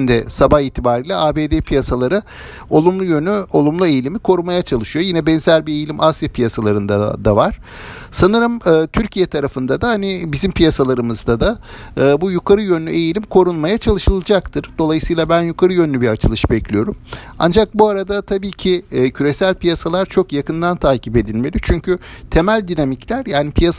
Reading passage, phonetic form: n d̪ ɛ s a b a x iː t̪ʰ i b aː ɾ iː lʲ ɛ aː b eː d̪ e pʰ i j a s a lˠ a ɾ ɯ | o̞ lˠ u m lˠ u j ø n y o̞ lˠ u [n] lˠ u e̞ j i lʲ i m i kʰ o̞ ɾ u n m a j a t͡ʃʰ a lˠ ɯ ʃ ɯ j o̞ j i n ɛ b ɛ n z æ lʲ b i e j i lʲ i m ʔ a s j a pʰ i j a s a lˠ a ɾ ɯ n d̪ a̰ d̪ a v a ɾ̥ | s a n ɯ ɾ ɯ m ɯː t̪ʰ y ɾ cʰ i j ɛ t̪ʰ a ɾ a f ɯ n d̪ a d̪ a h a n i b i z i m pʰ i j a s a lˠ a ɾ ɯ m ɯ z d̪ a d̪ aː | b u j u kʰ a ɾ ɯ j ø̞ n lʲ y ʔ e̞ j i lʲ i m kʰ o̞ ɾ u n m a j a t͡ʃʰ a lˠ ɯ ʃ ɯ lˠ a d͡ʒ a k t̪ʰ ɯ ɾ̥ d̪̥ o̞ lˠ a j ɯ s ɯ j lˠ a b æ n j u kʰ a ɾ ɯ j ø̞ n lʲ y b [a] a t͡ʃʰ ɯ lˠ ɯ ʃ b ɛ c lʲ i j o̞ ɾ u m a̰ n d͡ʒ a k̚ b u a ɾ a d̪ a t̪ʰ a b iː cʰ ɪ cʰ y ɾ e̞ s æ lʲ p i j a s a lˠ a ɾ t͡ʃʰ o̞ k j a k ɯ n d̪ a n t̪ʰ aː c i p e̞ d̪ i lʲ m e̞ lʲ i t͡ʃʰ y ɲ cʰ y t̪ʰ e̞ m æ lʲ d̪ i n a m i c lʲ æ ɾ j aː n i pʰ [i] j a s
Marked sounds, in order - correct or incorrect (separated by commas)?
incorrect, incorrect, correct